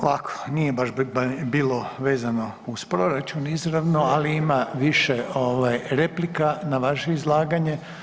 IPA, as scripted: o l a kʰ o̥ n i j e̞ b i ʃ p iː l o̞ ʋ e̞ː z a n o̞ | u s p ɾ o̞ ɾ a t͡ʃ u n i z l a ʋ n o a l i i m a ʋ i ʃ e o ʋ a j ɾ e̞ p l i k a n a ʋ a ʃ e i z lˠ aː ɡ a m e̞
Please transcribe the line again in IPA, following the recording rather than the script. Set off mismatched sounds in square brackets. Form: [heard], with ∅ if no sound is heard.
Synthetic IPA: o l a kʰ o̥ n i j e̞ b [a] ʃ [b] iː l o̞ ʋ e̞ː z a n o̞ | u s p ɾ o̞ ɾ a t͡ʃ u n i z [ɾ] a ʋ n o a l i i m a ʋ i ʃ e o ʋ a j ɾ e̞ p l i k a n a ʋ a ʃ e i z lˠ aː ɡ a [ɲ] e̞